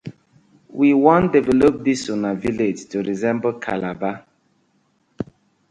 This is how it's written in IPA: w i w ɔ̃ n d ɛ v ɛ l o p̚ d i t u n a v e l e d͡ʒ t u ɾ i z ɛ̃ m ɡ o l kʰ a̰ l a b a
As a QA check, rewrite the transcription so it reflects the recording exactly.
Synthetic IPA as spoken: w i w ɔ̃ n d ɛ v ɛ l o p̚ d i s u n a v i l e d͡ʒ t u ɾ i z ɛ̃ m b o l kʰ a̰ l a b a

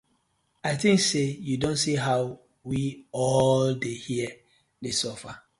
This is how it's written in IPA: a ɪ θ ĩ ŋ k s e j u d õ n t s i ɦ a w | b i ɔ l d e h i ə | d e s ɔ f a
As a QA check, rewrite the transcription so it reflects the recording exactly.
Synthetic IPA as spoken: a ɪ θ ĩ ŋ k s e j u d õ n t s i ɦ a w | w i ɔ l d e h i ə | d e s ɔ f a

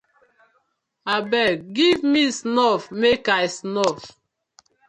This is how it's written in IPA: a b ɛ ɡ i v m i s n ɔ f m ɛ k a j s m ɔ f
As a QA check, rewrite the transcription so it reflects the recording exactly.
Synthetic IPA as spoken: a b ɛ ɡ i v m i s n ɔ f m e k a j s n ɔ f

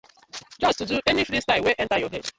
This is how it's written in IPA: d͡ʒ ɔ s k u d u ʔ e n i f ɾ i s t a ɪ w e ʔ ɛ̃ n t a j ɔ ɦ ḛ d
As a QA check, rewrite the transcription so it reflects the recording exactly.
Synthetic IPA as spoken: d͡ʒ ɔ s t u d u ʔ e n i f ɾ i s t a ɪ w e ʔ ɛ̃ n t a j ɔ ɦ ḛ d

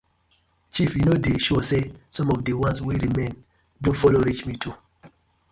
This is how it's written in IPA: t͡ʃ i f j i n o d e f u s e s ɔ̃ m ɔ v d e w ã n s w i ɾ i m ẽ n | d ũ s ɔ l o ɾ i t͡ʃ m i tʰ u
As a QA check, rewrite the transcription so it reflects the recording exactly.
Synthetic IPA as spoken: t͡ʃ i f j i n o d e ʃ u s e s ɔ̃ m ɔ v d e w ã n s w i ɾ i m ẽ n | d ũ f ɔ l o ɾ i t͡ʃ m i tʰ u

